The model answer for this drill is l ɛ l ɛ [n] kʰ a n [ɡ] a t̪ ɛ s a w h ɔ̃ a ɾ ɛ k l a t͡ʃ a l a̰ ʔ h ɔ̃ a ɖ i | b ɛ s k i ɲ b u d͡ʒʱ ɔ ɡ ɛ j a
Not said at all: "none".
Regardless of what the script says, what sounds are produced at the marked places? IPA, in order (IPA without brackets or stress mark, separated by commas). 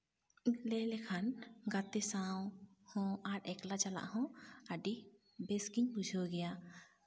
none, ɡ